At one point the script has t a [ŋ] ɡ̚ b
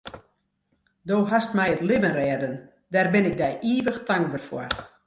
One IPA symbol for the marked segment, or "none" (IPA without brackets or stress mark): ŋ